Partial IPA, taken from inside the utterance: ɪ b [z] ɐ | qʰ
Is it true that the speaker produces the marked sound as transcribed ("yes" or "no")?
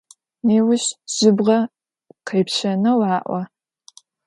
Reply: no